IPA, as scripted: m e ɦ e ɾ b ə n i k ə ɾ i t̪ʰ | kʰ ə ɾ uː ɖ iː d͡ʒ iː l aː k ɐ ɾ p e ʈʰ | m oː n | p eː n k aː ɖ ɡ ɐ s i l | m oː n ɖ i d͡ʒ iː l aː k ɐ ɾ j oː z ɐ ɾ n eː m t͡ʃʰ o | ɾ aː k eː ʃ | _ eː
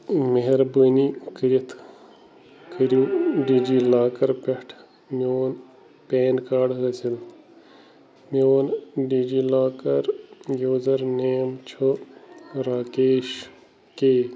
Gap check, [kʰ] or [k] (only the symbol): k